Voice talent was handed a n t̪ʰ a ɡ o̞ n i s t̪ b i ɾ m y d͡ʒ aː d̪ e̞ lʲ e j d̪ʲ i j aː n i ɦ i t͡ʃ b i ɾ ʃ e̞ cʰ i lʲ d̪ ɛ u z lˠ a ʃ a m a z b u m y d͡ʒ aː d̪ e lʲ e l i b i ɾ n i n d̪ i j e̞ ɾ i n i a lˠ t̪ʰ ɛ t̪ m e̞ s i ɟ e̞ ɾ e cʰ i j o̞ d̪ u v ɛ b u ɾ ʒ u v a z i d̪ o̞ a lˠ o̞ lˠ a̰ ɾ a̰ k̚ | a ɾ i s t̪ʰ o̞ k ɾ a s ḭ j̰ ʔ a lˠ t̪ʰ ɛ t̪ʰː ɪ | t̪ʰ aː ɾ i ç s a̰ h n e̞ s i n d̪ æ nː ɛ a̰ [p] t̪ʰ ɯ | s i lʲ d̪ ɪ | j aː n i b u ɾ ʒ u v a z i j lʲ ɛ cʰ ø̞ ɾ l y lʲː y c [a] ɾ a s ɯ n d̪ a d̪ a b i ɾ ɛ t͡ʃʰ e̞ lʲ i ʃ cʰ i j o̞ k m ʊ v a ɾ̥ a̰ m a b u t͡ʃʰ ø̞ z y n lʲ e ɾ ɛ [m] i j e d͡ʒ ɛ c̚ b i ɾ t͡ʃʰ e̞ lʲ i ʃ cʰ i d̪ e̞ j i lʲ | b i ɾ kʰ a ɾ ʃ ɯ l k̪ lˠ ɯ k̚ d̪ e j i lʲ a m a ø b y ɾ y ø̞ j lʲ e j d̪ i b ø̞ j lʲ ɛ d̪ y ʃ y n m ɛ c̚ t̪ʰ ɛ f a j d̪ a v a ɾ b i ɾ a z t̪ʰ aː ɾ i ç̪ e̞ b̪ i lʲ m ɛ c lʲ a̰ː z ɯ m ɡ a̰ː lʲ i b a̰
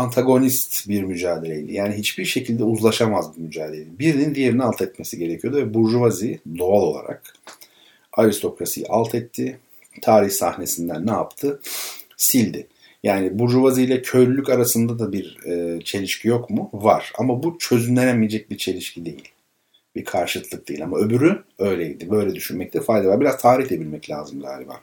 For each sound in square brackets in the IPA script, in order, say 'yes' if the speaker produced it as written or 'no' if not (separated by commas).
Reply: yes, yes, yes